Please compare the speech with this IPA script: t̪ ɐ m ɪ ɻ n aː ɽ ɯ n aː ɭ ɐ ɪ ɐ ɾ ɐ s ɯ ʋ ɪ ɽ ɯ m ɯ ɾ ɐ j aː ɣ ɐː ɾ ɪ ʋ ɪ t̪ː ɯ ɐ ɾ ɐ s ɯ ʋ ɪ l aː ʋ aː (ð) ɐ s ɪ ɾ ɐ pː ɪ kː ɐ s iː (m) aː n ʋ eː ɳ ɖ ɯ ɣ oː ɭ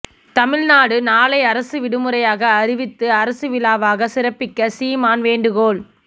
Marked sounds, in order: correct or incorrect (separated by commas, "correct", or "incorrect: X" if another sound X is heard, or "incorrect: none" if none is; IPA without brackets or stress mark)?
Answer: incorrect: ɣ, correct